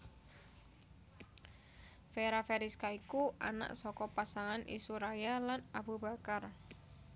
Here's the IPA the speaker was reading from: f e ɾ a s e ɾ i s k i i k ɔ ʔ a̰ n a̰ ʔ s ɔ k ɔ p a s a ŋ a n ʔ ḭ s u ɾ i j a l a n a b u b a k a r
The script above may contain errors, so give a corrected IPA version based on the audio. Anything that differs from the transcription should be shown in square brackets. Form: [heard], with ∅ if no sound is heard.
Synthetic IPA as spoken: f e ɾ a [f] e ɾ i s k [a] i k [u] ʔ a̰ n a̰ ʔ s ɔ k ɔ p a s a ŋ a n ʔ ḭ s u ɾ [a] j a l a n a b u b a k a r